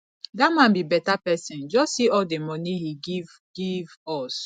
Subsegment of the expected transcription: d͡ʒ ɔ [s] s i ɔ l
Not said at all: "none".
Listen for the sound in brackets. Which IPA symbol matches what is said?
s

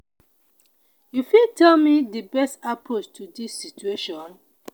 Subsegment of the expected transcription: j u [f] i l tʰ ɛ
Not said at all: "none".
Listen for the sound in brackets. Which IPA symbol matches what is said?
f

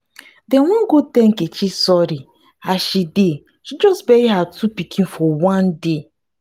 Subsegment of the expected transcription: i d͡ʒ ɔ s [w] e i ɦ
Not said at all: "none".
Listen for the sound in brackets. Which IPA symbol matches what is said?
b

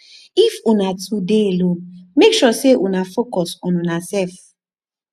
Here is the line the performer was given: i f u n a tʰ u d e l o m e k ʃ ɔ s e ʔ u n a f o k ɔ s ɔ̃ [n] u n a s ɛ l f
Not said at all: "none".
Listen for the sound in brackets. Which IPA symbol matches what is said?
n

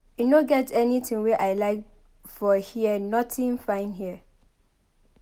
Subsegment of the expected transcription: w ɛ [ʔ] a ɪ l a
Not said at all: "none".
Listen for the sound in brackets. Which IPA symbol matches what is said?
ʔ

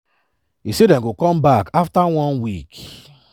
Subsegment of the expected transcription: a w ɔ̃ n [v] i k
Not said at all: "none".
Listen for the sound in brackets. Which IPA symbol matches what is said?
w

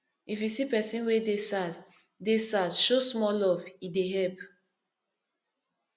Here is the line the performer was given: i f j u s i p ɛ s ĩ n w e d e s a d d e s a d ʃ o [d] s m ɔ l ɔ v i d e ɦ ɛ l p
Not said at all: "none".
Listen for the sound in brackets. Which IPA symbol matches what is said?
none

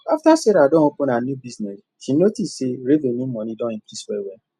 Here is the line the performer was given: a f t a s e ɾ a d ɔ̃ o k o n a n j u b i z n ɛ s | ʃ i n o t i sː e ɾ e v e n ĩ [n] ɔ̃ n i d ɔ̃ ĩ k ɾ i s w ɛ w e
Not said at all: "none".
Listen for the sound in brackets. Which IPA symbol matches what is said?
m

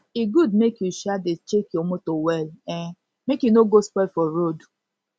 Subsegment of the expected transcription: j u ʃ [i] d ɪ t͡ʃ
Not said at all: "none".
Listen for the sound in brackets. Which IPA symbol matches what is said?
a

